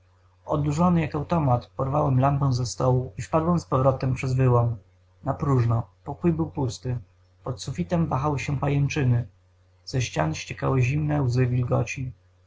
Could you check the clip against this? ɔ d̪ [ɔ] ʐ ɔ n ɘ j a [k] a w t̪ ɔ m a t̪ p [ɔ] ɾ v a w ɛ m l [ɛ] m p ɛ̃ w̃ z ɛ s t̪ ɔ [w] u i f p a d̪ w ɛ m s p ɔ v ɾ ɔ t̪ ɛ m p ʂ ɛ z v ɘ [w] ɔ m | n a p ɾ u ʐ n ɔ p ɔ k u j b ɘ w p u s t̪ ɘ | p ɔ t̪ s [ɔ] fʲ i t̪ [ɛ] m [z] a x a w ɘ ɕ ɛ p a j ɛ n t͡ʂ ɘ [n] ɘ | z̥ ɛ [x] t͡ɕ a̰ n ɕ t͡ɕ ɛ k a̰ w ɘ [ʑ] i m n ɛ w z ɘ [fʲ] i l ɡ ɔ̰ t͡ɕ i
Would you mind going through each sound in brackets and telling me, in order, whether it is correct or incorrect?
incorrect: u, correct, correct, incorrect: a, correct, correct, incorrect: u, correct, incorrect: v, correct, incorrect: ɕ, correct, incorrect: vʲ

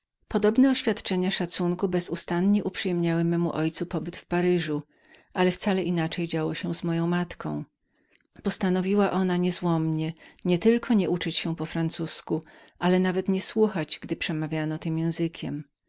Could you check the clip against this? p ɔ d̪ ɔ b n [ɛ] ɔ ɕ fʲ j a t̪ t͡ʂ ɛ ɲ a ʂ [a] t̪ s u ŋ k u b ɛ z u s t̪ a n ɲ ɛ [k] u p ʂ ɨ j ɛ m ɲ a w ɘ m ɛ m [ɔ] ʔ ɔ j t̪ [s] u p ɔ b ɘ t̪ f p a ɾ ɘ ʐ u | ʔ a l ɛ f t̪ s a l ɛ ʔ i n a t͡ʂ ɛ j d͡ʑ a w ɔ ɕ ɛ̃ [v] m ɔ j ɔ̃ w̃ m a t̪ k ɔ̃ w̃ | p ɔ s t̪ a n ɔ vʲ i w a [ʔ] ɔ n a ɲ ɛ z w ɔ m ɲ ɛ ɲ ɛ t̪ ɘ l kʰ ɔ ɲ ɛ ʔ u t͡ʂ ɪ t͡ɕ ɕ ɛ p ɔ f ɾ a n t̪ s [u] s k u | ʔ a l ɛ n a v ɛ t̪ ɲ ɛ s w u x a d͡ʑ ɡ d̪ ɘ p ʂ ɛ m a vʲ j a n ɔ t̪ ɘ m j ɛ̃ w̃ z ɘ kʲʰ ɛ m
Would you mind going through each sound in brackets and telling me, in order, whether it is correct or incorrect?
correct, correct, incorrect: ʔ, incorrect: u, correct, incorrect: z, correct, correct

